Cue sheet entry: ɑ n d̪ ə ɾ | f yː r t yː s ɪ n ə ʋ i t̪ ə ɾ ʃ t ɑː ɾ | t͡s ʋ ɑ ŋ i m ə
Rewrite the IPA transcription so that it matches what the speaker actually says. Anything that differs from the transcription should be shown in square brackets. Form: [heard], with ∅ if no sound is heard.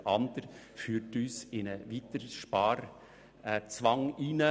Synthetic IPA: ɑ n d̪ ə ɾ | f yː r t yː s ɪ n ə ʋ i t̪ ə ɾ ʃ [p] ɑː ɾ | t͡s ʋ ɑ ŋ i [n] ə